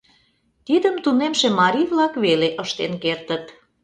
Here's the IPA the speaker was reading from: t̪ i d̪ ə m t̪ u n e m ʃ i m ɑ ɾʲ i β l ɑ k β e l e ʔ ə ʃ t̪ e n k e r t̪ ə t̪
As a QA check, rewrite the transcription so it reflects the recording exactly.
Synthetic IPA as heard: t̪ i d̪ ə m t̪ u n e m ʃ e m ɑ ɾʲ i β l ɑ k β e l e ʔ ə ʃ t̪ e n k e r t̪ ə t̪